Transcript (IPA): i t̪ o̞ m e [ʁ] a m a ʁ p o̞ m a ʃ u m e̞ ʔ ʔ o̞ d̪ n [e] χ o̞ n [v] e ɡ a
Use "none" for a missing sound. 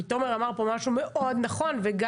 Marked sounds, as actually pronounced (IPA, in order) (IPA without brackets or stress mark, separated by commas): ʁ, a, v